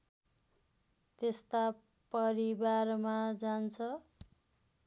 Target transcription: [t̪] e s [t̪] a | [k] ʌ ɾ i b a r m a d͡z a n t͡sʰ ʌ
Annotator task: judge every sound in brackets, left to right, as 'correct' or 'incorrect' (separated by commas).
correct, correct, incorrect